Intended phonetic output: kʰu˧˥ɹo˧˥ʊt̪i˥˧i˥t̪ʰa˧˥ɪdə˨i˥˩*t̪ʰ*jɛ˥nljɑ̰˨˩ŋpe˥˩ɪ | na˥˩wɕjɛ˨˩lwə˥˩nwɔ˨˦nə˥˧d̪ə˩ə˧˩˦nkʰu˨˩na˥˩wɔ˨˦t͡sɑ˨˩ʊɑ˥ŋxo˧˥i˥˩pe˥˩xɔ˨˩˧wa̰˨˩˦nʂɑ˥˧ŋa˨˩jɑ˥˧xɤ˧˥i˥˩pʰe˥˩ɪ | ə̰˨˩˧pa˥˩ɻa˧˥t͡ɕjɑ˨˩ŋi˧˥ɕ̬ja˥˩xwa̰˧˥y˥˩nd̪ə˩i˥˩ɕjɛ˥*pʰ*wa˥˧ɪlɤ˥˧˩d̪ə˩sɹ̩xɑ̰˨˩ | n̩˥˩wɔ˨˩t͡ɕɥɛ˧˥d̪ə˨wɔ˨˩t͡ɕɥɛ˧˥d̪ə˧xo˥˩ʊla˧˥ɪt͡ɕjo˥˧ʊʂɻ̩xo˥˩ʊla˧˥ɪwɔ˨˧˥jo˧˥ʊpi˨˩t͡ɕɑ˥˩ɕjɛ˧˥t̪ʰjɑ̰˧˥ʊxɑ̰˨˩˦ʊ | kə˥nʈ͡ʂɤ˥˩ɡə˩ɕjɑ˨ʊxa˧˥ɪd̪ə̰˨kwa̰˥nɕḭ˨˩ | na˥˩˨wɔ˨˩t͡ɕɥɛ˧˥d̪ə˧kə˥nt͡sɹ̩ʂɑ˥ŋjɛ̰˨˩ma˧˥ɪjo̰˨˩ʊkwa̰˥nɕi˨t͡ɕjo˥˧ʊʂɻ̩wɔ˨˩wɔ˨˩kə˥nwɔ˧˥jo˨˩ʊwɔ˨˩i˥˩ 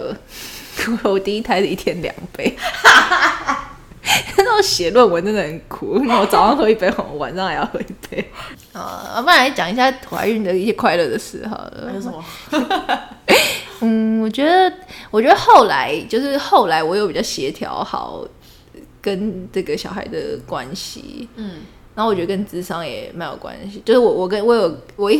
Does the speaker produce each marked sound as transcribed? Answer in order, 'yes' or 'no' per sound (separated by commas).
yes, no